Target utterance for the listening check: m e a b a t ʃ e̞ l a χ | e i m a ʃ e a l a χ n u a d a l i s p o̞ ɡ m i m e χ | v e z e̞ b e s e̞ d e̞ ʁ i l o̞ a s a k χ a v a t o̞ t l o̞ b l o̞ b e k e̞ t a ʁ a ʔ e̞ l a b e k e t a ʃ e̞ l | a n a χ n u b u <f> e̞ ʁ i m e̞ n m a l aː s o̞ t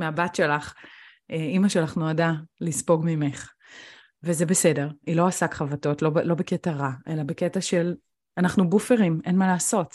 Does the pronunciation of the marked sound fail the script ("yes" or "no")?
no